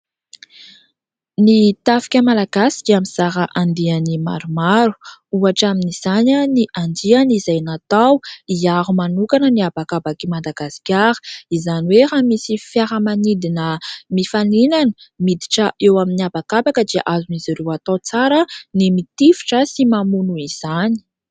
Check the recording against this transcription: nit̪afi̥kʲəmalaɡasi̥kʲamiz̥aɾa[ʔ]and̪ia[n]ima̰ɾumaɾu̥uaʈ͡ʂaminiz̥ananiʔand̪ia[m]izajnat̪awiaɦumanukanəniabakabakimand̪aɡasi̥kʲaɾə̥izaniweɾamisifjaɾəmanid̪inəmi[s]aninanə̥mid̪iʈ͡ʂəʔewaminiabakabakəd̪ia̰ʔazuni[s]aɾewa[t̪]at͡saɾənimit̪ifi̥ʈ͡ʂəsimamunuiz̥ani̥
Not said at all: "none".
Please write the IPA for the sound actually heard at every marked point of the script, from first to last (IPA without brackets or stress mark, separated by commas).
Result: ʔ, n, n, f, z, t̪